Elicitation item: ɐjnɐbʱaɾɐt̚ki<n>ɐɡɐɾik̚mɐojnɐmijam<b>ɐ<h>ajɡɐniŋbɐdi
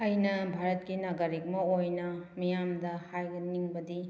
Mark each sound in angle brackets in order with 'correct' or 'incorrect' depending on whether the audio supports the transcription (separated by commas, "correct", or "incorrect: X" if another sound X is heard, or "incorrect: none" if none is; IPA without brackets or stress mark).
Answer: correct, incorrect: d, correct